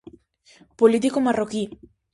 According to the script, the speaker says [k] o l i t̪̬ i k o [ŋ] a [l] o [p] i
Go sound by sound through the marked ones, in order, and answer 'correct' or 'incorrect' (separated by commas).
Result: incorrect, incorrect, incorrect, incorrect